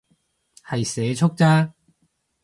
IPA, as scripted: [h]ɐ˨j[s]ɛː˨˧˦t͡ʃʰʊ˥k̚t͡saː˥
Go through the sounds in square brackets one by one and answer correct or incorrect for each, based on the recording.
correct, correct

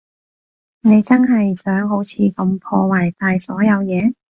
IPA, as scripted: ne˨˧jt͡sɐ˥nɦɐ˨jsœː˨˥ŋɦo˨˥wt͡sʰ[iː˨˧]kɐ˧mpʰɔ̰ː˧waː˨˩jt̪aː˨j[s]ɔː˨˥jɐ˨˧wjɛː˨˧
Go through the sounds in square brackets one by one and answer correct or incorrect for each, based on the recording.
correct, correct

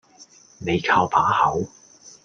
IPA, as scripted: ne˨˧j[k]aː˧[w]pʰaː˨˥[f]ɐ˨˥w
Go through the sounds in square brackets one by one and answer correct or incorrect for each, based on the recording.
incorrect: kʰ, correct, incorrect: h

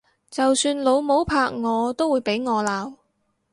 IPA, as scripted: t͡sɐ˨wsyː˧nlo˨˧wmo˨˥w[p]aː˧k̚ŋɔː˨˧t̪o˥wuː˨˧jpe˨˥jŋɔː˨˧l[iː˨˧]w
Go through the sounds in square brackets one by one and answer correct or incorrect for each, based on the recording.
incorrect: pʰ, incorrect: aː˨˧

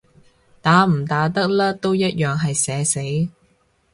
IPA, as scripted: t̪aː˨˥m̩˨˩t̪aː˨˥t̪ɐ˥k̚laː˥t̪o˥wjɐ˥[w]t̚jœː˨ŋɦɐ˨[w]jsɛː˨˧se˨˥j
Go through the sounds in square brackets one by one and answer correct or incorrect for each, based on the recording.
incorrect: none, incorrect: none

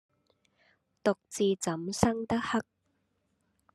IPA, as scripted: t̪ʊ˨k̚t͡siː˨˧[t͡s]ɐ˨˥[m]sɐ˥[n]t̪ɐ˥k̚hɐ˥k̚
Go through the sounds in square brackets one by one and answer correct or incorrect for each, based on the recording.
correct, correct, incorrect: ŋ

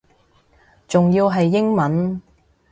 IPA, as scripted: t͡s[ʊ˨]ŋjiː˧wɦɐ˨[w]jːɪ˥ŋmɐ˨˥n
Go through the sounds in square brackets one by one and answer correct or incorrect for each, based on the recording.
correct, incorrect: none

